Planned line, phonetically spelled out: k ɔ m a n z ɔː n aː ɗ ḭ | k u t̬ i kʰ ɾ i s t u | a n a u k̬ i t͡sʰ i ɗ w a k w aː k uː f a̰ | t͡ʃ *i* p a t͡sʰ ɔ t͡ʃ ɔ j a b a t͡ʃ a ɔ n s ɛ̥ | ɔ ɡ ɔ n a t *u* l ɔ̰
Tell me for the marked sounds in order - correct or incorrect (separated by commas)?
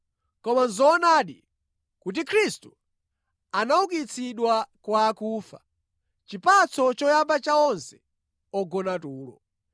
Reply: correct, incorrect